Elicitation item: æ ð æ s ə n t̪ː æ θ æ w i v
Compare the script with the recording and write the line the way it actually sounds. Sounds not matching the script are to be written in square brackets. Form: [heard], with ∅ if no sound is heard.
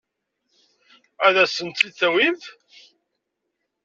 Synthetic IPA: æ ð æ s ə n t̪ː [i] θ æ w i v